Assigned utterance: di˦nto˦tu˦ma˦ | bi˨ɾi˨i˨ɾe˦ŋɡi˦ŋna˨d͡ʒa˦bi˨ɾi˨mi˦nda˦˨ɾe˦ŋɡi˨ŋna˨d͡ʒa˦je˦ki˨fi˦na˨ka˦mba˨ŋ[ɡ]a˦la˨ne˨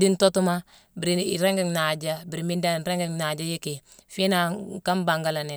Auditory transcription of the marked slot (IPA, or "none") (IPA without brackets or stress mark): ɡ